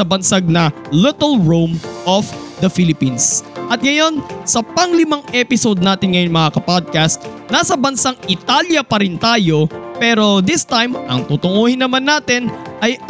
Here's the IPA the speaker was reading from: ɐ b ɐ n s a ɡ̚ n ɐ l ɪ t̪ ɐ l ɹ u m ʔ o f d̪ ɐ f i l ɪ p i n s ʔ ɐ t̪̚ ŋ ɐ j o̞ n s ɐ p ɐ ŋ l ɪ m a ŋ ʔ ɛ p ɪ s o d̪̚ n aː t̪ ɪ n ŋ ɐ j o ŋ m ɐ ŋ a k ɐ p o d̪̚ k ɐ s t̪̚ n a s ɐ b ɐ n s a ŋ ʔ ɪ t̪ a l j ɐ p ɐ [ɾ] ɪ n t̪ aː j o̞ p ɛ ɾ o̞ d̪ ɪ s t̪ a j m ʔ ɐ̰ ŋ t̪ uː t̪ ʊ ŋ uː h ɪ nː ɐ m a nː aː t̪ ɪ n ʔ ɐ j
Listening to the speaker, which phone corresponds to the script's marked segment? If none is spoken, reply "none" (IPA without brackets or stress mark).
ɾ